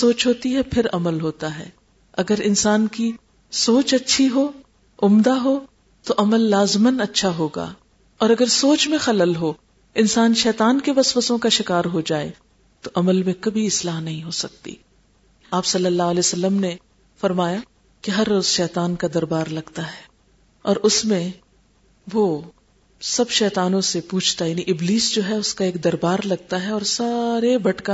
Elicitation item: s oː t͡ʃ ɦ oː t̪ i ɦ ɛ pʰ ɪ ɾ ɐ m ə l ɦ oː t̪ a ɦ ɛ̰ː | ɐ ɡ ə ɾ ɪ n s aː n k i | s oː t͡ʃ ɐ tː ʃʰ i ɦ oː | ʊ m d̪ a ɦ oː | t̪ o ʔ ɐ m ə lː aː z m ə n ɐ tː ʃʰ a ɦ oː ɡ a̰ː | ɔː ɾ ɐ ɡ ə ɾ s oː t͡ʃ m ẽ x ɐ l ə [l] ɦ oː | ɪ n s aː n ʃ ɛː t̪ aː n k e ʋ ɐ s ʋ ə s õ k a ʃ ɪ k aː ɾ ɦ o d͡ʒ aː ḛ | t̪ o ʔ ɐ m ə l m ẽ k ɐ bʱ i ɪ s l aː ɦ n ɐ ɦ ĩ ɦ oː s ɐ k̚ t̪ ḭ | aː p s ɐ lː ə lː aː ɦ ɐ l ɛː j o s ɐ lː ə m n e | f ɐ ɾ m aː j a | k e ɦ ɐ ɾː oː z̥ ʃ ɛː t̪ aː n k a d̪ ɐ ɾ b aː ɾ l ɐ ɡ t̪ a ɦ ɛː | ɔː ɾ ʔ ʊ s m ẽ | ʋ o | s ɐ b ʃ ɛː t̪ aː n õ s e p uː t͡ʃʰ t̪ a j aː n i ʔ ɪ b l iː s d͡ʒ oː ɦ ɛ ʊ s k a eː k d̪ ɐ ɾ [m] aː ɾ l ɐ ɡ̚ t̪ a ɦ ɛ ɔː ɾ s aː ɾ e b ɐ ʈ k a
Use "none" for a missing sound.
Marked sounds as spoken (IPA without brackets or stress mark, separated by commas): l, b